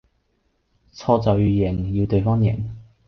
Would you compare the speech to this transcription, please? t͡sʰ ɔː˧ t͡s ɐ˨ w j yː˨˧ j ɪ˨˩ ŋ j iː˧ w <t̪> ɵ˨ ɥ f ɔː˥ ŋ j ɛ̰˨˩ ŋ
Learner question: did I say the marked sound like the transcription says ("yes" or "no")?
yes